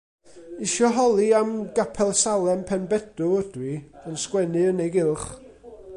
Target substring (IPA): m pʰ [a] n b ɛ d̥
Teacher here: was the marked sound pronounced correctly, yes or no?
no